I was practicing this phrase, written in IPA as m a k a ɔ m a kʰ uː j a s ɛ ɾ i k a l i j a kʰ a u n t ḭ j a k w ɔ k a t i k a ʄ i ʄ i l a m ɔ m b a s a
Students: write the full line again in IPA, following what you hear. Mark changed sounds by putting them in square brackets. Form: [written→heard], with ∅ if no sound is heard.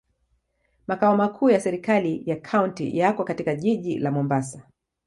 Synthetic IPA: m a k a ɔ m a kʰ uː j a s ɛ ɾ i k a l i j a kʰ a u n t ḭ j a k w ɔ k a t i k a ʄ i ʄ i l a m ɔ m b a s a